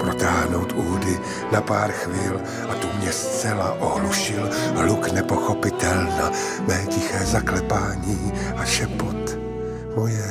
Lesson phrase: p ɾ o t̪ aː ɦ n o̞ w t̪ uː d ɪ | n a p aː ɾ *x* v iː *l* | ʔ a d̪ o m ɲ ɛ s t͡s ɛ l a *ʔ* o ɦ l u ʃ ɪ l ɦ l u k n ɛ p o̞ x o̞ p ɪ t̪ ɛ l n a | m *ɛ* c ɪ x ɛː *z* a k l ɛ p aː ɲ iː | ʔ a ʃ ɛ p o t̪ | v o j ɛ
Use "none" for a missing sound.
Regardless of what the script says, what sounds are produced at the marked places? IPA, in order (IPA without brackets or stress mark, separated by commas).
x, l, ʔ, ɛː, z